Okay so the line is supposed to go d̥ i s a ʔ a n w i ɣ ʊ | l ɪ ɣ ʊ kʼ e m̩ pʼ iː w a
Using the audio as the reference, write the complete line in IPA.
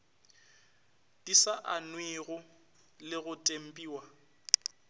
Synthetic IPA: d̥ i s a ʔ a n w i ɣ ʊ | l ɪ ɣ ʊ tʼ e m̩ pʼ iː w a